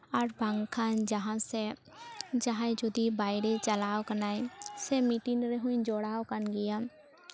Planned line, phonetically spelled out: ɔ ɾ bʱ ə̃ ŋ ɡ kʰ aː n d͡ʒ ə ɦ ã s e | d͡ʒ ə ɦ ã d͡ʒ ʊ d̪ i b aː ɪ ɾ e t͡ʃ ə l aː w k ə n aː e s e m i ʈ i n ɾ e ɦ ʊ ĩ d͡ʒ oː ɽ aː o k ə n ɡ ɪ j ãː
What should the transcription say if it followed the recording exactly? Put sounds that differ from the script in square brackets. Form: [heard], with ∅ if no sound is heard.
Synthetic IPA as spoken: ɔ ɾ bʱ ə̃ ŋ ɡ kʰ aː n d͡ʒ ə ɦ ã s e | d͡ʒ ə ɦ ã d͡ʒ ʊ d̪ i b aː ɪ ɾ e t͡ʃ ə l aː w k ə n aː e s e m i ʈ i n ɾ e ɦ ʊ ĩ d͡ʒ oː ɽ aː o k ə n ɡ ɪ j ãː